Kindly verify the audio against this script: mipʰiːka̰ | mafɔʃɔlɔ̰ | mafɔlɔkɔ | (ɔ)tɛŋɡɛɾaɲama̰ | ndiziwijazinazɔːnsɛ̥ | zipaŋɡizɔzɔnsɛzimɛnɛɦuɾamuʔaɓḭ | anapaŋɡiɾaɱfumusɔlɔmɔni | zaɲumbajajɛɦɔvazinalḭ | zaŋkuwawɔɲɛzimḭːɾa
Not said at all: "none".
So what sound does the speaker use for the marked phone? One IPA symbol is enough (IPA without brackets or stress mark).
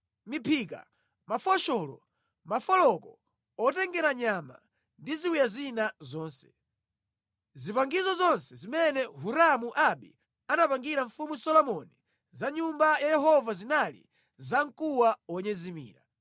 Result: ɔ